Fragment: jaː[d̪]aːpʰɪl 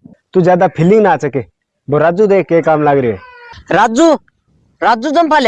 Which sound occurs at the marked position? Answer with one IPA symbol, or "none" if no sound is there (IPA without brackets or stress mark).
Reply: d̪